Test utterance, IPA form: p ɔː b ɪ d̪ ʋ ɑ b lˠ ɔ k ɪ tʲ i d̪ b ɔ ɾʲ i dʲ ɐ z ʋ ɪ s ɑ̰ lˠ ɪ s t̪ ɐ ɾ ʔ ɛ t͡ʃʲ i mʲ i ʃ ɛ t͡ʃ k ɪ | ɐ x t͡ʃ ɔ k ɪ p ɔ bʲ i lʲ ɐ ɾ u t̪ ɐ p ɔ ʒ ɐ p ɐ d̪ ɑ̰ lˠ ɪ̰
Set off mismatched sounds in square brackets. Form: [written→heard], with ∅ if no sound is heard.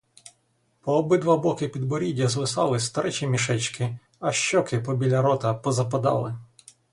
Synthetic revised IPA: p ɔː b ɪ d̪ ʋ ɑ b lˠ ɔ k ɪ [tʲ→pʲ] i d̪ b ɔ ɾʲ i dʲ ɐ z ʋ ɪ s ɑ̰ lˠ ɪ s t̪ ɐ ɾ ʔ ɛ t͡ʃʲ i mʲ i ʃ ɛ t͡ʃ k ɪ | ɐ [x→ʃ] t͡ʃ ɔ k ɪ p ɔ bʲ i lʲ ɐ ɾ [u→ɔ] t̪ ɐ p ɔ [ʒ→z] ɐ p ɐ d̪ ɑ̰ lˠ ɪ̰